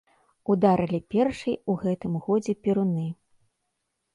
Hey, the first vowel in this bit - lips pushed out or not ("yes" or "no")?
yes